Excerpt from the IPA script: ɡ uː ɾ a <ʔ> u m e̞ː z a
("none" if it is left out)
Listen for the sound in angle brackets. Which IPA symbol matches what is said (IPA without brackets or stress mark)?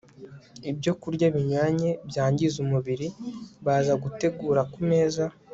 k